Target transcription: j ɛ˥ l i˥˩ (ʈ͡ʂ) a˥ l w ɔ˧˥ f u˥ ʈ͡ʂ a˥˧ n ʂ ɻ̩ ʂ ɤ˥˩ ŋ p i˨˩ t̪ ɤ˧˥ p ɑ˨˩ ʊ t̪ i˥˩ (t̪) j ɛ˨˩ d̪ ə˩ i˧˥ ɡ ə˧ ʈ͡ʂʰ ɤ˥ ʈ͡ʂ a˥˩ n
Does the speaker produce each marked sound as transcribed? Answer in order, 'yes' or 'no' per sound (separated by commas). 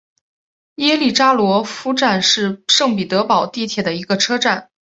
yes, no